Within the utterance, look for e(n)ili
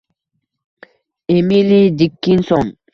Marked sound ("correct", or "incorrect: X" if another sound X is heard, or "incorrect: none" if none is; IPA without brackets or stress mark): incorrect: m